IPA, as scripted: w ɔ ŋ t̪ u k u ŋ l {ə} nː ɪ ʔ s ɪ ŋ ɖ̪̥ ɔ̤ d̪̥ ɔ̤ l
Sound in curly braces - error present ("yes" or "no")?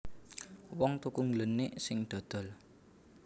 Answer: no